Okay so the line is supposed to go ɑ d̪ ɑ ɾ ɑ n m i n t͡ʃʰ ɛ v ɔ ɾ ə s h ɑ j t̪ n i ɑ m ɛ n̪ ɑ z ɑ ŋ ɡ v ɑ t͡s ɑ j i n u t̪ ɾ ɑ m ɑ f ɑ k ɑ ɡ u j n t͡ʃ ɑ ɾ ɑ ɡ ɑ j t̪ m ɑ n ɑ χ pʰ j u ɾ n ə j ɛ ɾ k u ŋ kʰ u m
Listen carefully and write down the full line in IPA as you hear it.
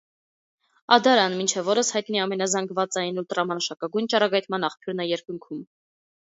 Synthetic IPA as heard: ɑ d̪ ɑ ɾ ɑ n m i n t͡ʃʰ ɛ v ɔ ɾ ə s h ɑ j t̪ n i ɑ m ɛ n̪ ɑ z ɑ ŋ ɡ v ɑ t͡s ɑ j i n u t̪ ɾ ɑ m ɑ ʃ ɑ k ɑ ɡ u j n t͡ʃ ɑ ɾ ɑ ɡ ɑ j t̪ m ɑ n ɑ χ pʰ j u ɾ n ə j ɛ ɾ k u ŋ kʰ u m